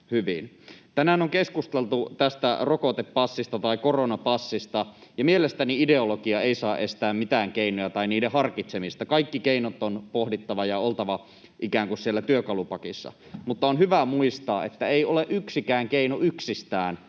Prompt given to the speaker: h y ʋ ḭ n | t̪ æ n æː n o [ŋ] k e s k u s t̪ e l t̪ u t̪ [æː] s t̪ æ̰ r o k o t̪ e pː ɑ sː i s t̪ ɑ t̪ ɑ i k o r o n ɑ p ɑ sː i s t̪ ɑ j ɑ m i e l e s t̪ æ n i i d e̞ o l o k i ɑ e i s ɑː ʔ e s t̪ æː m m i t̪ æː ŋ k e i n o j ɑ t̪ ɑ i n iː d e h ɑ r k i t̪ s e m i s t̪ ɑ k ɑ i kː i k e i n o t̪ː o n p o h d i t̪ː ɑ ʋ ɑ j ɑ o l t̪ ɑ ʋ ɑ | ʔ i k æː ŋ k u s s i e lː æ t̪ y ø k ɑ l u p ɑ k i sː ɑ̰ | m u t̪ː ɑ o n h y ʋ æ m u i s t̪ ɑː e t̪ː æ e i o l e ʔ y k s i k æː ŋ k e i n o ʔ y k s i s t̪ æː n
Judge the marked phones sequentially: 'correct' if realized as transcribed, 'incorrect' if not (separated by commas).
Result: correct, incorrect